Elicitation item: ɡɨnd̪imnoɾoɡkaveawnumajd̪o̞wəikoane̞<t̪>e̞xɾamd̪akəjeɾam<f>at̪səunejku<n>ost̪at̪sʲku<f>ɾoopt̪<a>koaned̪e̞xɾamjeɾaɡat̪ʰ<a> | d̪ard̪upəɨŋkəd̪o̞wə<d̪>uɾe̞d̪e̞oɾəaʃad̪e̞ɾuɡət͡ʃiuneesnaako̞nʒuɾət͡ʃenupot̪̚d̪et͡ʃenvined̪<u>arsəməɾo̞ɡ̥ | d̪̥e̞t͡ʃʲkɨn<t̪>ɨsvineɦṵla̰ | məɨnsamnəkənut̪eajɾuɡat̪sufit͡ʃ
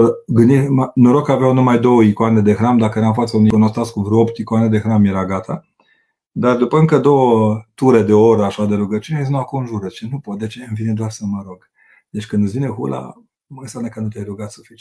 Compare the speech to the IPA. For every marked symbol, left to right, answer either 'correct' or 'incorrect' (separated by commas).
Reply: incorrect, correct, correct, incorrect, incorrect, correct, incorrect, incorrect, incorrect